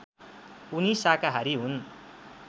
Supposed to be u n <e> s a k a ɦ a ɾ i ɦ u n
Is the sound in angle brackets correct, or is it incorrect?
incorrect